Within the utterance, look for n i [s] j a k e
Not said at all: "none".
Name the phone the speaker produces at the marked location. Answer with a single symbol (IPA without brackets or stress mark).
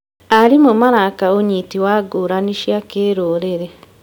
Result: ʃ